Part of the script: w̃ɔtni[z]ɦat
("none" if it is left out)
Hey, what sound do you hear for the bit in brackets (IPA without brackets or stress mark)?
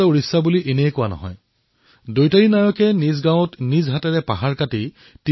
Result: z